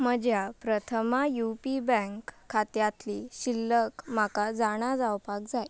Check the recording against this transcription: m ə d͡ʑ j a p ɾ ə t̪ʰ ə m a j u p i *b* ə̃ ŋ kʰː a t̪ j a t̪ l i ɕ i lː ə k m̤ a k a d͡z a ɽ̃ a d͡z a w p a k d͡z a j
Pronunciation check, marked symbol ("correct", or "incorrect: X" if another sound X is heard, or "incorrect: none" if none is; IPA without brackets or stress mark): correct